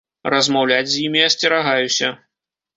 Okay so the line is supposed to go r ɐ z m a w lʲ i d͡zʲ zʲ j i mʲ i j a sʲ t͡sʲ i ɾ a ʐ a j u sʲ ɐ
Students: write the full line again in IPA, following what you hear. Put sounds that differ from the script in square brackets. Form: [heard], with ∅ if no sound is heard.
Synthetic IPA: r ɐ z m a w lʲ [a] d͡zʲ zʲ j i mʲ i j a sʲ t͡sʲ [ɛ] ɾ a [ɣ] a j u sʲ ɐ